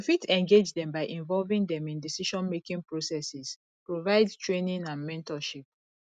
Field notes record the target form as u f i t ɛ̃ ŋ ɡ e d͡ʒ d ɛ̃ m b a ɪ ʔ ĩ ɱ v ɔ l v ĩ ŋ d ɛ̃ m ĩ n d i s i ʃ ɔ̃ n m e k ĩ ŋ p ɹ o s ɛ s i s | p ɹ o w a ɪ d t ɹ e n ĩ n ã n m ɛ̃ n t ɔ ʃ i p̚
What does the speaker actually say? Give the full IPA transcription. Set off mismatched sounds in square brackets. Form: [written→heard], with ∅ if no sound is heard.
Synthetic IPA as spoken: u f i t ɛ̃ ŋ ɡ e d͡ʒ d ɛ̃ m b a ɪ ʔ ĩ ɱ v ɔ l v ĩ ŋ d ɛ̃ m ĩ n d i s i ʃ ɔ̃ n m e k ĩ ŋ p ɹ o s ɛ s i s | p ɹ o [w→v] a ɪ d t ɹ e n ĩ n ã n m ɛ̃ n t ɔ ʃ i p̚